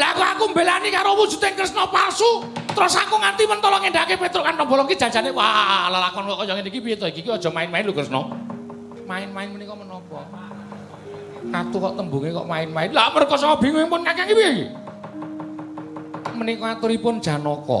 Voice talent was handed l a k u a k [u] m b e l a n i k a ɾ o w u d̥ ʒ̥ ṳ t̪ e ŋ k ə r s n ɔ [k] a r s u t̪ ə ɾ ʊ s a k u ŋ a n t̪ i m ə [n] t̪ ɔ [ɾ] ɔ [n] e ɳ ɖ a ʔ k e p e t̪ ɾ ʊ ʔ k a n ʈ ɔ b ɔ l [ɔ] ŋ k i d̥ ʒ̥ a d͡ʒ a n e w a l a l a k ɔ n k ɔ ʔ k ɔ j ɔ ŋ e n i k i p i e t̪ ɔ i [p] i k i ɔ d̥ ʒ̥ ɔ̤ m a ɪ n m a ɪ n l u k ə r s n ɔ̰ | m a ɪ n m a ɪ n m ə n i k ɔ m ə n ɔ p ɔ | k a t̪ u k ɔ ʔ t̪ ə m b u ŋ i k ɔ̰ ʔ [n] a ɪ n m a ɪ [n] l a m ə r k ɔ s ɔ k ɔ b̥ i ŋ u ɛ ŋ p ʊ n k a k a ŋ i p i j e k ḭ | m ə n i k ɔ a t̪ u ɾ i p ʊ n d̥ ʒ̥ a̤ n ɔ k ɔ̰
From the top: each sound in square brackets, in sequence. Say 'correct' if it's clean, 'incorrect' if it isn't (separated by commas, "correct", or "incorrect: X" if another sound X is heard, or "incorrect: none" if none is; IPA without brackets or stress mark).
correct, incorrect: p, correct, incorrect: l, incorrect: ŋ, correct, incorrect: k, incorrect: m, correct